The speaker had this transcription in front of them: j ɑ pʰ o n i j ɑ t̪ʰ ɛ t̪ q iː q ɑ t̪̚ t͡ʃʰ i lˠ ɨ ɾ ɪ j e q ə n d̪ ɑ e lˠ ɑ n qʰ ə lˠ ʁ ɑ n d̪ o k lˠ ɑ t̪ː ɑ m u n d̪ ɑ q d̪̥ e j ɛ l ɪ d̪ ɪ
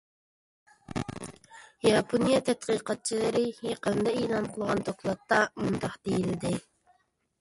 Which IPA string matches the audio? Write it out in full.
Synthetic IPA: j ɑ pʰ o n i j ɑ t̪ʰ ɛ t̪ q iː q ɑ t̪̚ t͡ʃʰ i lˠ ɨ ɾ ɪ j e q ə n d̪ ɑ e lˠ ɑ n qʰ ə lˠ ʁ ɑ n d̪ o k lˠ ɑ t̪ː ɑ m u n d̪ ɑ q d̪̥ e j i l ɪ d̪ ɪ